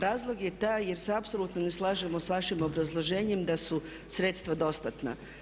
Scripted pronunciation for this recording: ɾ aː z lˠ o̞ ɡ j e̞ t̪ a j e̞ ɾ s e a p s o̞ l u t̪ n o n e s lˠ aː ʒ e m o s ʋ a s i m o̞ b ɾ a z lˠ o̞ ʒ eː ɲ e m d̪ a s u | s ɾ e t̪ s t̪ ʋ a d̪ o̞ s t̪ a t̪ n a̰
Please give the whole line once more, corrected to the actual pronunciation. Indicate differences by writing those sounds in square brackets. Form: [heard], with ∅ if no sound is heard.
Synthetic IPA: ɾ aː z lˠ o̞ ɡ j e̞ t̪ a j e̞ ɾ s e a p s o̞ l u t̪ n o n e s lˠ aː ʒ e m o s ʋ a [ʃ] i m o̞ b ɾ a z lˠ o̞ ʒ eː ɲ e m d̪ a s u | s ɾ e t̪ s t̪ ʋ a d̪ o̞ s t̪ a t̪ n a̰